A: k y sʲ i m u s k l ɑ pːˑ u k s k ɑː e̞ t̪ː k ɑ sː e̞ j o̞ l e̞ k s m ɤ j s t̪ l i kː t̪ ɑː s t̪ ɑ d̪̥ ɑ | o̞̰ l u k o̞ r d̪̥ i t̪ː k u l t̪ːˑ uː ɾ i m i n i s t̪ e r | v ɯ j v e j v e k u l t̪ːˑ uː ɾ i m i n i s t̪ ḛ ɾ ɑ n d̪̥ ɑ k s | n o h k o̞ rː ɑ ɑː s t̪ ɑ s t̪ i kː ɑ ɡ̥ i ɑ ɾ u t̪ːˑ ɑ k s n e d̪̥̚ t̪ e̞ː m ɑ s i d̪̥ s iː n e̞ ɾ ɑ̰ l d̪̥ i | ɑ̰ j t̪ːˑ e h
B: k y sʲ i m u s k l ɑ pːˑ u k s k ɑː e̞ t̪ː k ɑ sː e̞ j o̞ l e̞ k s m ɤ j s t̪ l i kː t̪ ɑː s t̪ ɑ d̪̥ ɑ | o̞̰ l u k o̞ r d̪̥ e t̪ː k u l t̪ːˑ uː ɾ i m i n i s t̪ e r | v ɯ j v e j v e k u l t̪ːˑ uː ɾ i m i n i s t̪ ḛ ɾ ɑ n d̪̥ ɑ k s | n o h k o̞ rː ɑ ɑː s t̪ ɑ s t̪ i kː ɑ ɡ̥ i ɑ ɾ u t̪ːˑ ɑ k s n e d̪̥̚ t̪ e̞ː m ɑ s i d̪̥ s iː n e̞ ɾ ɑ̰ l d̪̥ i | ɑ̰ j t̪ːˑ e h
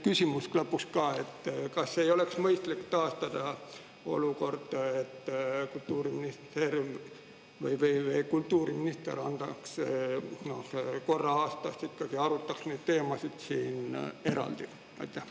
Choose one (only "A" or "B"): B